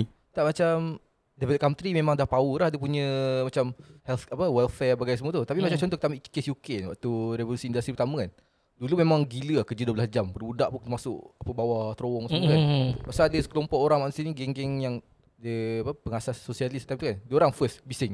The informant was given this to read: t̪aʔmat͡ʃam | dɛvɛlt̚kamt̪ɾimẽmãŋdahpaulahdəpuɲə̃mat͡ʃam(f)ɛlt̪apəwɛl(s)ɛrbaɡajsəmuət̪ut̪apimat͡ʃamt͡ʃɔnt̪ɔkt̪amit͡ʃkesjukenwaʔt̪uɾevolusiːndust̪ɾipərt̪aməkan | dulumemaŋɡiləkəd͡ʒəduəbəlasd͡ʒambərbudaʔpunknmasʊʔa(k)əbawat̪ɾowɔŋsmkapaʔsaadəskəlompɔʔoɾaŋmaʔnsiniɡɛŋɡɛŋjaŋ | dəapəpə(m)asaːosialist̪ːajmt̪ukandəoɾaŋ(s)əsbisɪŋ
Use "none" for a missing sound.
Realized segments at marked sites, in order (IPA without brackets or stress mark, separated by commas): h, f, p, ŋ, f